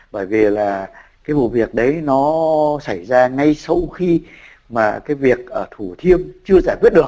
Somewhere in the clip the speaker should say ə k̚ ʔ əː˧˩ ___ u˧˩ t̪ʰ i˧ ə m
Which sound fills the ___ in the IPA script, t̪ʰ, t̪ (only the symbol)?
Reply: t̪ʰ